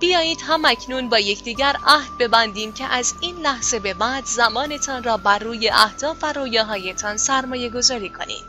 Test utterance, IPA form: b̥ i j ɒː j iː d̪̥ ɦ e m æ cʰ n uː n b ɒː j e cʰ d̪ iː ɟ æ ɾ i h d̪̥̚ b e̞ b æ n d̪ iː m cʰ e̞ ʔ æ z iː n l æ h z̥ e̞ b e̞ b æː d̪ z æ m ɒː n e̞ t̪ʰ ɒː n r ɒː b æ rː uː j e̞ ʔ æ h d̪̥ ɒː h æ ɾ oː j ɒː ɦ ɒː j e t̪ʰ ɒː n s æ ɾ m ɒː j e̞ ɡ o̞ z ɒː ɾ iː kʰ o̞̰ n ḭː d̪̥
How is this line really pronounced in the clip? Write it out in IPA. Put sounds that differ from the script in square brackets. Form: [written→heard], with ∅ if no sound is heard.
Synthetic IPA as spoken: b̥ i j ɒː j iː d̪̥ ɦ [e→æ] m æ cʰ n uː n b ɒː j e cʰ d̪ iː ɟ æ ɾ [i→æ] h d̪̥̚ b e̞ b æ n d̪ iː m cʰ e̞ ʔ æ z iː n l æ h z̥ e̞ b e̞ b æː d̪ z æ m ɒː n e̞ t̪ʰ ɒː n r ɒː b æ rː uː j e̞ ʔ æ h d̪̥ ɒː [h→f] æ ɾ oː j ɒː ɦ ɒː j e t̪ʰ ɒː n s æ ɾ m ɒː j e̞ ɡ o̞ z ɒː ɾ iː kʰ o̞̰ n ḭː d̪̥